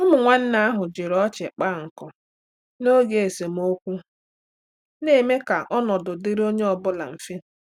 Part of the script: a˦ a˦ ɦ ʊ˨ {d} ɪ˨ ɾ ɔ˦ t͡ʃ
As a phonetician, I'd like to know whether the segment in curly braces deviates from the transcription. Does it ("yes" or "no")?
yes